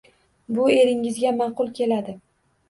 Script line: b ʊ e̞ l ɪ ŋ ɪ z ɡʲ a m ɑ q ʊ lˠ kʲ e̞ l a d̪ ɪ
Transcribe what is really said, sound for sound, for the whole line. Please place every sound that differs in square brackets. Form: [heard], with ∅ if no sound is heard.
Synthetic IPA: b ʊ e̞ [ɾ] ɪ ŋ ɪ z ɡʲ a m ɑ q ʊ lˠ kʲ e̞ l a d̪ ɪ